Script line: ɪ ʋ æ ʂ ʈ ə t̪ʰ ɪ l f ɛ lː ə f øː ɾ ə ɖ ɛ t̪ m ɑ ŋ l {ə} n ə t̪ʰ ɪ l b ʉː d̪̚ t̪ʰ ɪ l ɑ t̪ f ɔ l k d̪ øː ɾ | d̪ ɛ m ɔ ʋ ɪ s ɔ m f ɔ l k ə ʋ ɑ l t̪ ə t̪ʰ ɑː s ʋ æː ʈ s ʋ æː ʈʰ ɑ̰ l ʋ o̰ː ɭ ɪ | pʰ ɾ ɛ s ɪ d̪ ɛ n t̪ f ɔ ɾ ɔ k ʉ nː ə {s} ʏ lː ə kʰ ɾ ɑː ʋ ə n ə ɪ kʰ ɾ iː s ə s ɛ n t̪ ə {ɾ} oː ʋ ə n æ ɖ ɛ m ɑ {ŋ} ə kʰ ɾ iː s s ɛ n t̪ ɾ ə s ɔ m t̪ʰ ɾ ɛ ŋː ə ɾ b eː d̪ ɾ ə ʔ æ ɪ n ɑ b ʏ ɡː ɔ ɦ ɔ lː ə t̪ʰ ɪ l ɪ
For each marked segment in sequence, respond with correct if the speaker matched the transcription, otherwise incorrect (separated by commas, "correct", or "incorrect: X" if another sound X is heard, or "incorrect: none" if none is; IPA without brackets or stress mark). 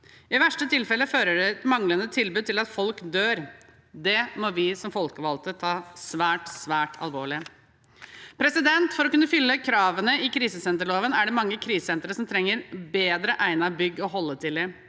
correct, incorrect: f, incorrect: ɭ, incorrect: ŋː